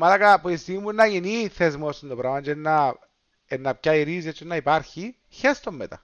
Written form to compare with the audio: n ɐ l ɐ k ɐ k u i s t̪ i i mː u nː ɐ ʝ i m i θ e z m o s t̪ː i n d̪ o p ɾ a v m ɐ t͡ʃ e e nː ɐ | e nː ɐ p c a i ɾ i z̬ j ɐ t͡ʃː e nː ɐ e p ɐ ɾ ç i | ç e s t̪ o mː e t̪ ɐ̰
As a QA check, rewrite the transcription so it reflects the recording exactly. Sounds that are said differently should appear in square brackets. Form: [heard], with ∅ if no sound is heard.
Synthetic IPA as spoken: [m] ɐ l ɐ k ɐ [p] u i s t̪ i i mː u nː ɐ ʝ i [n] i θ e z m o s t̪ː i n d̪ o p ɾ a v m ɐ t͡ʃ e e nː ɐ | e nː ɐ p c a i ɾ i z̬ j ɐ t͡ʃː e nː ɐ [i] p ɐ ɾ ç i | ç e s t̪ o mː e t̪ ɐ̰